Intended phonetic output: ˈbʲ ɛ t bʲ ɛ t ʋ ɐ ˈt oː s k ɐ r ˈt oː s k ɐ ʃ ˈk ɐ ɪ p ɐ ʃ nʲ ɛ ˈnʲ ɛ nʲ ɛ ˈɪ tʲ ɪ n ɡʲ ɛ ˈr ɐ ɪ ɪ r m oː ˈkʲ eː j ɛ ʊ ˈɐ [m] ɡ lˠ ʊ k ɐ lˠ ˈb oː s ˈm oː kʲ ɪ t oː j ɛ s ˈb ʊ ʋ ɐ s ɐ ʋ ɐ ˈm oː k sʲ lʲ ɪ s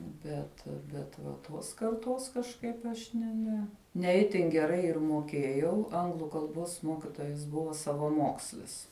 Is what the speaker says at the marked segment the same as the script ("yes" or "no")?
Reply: no